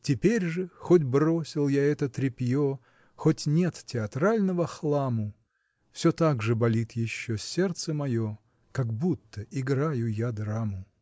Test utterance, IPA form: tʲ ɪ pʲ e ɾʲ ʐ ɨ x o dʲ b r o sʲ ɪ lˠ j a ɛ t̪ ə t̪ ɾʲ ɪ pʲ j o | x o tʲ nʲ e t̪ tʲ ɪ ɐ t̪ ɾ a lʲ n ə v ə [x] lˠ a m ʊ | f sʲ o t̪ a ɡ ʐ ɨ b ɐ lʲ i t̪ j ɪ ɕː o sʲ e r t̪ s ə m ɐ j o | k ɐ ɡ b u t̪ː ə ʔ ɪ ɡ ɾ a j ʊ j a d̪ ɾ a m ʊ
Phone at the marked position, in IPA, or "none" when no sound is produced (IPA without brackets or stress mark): x